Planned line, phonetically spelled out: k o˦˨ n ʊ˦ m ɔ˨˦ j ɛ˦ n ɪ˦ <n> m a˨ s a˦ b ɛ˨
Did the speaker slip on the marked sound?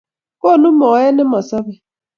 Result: yes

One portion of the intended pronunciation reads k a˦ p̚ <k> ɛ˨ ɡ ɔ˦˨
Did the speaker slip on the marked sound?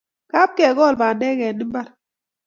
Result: no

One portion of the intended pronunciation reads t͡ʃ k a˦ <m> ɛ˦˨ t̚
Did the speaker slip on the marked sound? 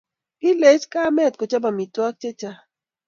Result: no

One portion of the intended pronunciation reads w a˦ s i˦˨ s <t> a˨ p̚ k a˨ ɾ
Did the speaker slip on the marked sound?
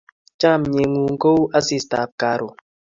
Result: no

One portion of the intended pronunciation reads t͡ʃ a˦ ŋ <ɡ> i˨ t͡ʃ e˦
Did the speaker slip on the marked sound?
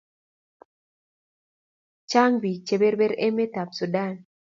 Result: yes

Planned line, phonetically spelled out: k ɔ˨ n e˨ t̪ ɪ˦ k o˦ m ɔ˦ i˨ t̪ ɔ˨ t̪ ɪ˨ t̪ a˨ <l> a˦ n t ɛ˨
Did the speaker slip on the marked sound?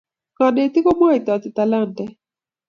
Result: no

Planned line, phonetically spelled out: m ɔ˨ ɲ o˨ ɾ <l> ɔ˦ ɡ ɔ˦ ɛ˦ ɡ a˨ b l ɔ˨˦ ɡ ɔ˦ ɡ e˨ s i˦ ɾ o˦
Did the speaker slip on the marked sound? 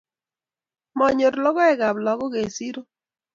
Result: no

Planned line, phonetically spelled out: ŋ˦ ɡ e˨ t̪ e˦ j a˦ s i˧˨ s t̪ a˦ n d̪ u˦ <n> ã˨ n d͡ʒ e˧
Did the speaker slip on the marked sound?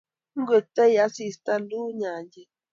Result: yes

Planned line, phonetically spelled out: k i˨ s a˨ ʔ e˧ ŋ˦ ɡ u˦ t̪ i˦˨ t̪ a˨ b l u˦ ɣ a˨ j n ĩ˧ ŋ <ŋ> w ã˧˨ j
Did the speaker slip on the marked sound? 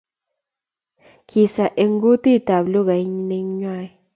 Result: yes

